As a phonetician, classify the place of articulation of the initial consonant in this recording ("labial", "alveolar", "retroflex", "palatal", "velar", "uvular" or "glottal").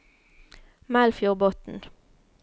labial